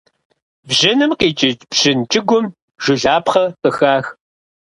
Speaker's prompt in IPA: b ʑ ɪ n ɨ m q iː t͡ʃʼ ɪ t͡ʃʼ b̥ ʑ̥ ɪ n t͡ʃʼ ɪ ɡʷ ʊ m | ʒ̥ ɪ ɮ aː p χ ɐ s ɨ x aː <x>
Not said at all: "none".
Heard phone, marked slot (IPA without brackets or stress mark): x